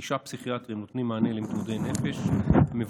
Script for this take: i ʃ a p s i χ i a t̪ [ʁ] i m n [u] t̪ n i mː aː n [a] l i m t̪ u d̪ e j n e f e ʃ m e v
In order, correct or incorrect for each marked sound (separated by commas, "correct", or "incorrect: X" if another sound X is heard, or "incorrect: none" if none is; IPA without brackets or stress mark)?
correct, incorrect: o, incorrect: e